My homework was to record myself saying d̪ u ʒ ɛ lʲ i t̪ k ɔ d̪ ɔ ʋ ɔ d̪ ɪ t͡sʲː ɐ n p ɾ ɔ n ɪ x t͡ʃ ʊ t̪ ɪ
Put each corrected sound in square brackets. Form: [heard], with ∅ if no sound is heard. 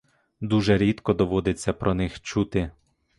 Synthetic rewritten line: d̪ u ʒ ɛ [ɾʲ] i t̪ k ɔ d̪ ɔ ʋ ɔ d̪ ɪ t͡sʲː ɐ [∅] p ɾ ɔ n ɪ x t͡ʃ [u] t̪ ɪ